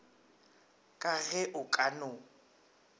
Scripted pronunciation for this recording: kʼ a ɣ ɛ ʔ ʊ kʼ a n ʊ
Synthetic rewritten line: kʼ a ɣ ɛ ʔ ʊ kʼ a n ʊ